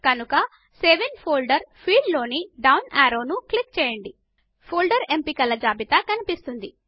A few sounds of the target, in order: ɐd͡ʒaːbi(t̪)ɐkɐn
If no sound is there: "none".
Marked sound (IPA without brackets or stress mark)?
t̪